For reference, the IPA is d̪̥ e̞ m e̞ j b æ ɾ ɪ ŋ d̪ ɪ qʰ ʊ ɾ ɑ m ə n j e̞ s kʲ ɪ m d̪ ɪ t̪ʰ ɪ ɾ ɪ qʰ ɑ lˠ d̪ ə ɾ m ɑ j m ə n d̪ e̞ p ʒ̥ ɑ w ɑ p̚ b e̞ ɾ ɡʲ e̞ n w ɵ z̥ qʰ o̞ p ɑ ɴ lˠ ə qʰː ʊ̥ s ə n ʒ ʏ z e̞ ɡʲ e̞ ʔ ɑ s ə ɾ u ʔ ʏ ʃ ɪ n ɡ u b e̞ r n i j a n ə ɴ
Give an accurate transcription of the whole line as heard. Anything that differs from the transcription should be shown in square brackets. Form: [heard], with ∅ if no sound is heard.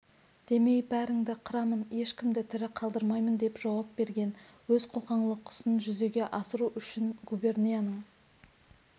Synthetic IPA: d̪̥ e̞ m e̞ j b æ ɾ ɪ ŋ d̪ ɪ qʰ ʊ ɾ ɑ m ə n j e̞ [ʃ] kʲ ɪ m d̪ ɪ t̪ʰ ɪ ɾ ɪ qʰ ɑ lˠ d̪ ə ɾ m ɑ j m ə n d̪ e̞ p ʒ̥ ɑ w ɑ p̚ b e̞ ɾ ɡʲ e̞ n w ɵ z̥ qʰ o̞ [q] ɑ ɴ lˠ ə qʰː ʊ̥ s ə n ʒ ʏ z e̞ ɡʲ e̞ ʔ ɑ s ə ɾ u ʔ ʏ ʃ ɪ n ɡ u b e̞ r n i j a n ə ɴ

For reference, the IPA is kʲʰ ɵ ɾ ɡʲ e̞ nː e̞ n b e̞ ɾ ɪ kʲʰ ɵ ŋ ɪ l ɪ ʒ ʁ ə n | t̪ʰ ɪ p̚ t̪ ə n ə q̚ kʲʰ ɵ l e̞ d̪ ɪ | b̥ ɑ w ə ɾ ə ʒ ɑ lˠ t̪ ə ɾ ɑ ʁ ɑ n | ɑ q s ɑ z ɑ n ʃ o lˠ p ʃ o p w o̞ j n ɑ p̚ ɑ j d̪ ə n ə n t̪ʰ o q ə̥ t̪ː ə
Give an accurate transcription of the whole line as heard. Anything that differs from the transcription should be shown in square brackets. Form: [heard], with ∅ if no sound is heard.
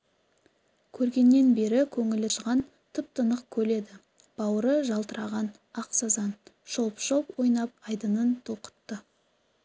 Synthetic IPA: kʲʰ ɵ ɾ ɡʲ e̞ nː e̞ n b e̞ ɾ ɪ kʲʰ ɵ ŋ ɪ l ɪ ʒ ʁ [ɑ] n | t̪ʰ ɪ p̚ t̪ ə n ə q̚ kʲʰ ɵ l e̞ d̪ ɪ | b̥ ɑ w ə ɾ ə ʒ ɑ lˠ t̪ ə ɾ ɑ ʁ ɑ n | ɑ q s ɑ z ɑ n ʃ o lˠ p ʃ o p w o̞ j n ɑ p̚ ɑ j d̪ ə n ə n t̪ʰ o q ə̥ t̪ː ə

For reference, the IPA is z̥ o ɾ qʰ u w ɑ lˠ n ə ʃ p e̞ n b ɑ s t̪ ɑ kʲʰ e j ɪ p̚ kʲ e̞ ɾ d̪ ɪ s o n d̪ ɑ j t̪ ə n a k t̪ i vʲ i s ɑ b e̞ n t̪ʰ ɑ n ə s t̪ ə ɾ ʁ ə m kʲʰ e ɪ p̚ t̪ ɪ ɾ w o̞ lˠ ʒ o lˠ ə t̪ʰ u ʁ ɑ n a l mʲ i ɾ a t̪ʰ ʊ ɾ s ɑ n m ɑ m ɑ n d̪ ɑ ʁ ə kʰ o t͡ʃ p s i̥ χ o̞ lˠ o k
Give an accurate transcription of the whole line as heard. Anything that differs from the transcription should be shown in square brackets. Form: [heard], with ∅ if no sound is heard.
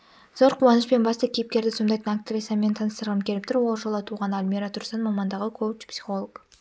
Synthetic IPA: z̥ o ɾ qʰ u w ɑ [∅] n ə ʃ p e̞ n b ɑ s t̪ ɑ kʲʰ e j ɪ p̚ kʲ e̞ ɾ d̪ ɪ s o n d̪ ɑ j t̪ ə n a k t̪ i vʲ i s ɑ [m] e̞ n t̪ʰ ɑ n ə s t̪ ə ɾ ʁ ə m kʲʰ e ɪ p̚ t̪ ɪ ɾ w o̞ lˠ ʒ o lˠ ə t̪ʰ u ʁ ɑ n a l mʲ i ɾ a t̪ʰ ʊ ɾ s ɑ n m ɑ m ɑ n d̪ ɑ ʁ ə kʰ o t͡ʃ p s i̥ χ o̞ lˠ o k

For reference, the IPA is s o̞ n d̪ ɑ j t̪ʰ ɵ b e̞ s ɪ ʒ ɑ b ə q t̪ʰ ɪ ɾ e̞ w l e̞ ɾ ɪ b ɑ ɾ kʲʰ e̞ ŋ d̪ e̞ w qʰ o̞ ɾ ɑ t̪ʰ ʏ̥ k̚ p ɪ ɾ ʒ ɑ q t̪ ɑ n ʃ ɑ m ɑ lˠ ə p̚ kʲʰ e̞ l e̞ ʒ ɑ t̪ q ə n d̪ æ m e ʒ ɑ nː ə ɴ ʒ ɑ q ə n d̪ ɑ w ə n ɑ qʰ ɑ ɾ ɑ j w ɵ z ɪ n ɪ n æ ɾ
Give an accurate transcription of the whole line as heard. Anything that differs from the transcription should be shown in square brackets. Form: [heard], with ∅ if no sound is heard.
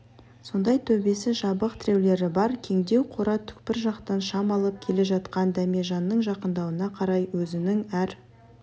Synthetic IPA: s o̞ n d̪ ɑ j t̪ʰ ɵ b e̞ s ɪ ʒ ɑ b ə q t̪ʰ ɪ ɾ e̞ w l e̞ ɾ ɪ b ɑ ɾ kʲʰ e̞ ŋ d̪ e̞ w qʰ o̞ ɾ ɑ t̪ʰ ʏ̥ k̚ p ɪ ɾ ʒ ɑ q t̪ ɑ n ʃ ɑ m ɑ lˠ ə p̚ kʲʰ e̞ l e̞ ʒ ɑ t̪ q [ɑ] n d̪ æ m e ʒ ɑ nː ə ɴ ʒ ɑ q ə n d̪ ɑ w ə n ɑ qʰ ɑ ɾ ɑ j w ɵ z ɪ n ɪ [ŋ] æ ɾ

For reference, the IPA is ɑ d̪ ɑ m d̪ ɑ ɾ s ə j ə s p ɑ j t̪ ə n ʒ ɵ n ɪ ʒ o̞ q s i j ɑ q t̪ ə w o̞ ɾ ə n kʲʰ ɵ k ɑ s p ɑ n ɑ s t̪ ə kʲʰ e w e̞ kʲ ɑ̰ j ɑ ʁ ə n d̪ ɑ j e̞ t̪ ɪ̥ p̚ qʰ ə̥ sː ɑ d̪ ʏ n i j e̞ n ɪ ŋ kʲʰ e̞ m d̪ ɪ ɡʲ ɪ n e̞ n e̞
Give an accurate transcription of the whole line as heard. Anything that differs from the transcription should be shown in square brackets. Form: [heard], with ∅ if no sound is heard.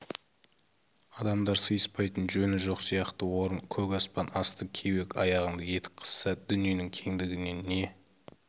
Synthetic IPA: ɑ d̪ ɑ m d̪ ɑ ɾ s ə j ə s p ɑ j t̪ ə n ʒ ɵ n ɪ ʒ o̞ q s i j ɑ q t̪ ə w o̞ ɾ ə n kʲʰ ɵ k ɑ s p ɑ n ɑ s t̪ ə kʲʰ e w e̞ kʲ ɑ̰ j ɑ ʁ ə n d̪ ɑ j e̞ t̪ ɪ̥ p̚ qʰ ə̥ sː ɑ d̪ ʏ n i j e̞ n ɪ ŋ kʲʰ e̞ [ŋ] d̪ ɪ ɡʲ ɪ n e̞ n e̞

